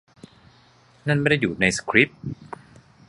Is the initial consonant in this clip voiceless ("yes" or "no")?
no